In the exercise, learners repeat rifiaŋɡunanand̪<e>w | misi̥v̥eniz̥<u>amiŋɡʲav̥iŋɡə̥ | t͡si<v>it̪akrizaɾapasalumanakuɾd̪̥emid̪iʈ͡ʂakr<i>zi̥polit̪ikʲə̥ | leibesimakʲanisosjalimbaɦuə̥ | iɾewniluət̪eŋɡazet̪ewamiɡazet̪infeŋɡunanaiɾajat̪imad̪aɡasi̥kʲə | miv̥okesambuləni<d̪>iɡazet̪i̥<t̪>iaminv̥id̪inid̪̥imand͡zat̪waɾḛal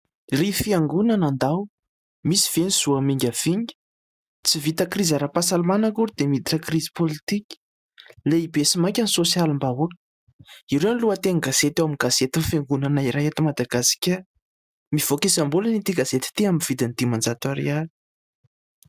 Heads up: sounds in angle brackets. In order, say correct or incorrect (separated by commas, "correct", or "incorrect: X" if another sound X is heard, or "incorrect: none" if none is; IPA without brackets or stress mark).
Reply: incorrect: a, correct, correct, correct, incorrect: t̪, correct